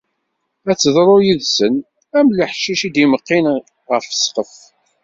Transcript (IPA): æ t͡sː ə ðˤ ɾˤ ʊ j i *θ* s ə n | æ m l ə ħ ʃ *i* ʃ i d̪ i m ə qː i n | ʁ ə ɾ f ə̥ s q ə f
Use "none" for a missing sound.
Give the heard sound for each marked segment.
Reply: ð, i

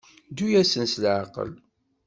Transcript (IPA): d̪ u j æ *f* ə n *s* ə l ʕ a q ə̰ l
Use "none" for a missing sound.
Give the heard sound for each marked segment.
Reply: s, s

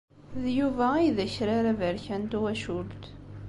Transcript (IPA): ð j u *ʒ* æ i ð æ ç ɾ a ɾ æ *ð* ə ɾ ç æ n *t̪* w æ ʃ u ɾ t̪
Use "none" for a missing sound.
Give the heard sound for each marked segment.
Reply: v, v, t̪

